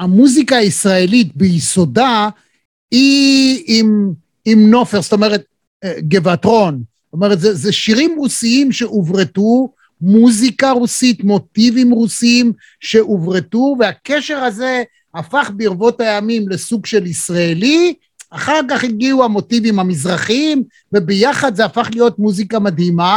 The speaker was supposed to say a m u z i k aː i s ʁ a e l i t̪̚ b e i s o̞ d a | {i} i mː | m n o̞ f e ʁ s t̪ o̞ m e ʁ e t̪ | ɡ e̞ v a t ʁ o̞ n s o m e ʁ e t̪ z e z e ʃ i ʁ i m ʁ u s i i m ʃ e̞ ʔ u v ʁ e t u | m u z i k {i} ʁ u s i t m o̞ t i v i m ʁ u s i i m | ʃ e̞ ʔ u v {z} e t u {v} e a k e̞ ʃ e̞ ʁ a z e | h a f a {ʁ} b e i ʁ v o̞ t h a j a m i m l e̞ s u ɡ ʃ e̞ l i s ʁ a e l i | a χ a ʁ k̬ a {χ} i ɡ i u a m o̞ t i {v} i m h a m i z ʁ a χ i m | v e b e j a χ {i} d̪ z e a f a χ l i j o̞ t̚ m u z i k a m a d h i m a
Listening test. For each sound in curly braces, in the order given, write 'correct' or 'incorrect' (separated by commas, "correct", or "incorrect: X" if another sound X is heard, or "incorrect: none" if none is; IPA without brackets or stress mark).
correct, incorrect: a, incorrect: ʁ, correct, incorrect: χ, correct, correct, incorrect: a